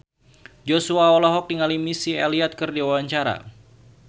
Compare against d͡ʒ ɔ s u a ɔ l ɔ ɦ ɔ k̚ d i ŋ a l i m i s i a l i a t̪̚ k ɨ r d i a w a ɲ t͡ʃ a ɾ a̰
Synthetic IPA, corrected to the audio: d͡ʒ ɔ s u a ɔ l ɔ ɦ ɔ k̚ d i ŋ a l i m i s i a l i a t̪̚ k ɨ r d i a w a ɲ t͡ʃ a ɾ a̰